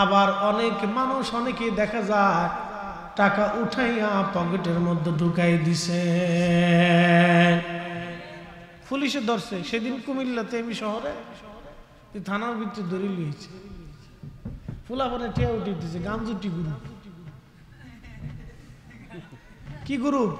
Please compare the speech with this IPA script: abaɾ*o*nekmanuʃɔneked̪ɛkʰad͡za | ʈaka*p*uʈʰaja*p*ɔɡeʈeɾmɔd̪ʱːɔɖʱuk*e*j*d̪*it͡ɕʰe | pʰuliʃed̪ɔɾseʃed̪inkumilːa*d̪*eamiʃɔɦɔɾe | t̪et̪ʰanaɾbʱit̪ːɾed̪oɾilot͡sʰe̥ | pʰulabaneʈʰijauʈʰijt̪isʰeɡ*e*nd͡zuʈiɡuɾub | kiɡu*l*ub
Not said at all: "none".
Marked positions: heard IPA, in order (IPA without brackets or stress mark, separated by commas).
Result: ɔ, ʔ, p, a, d̪, t̪, a, ɾ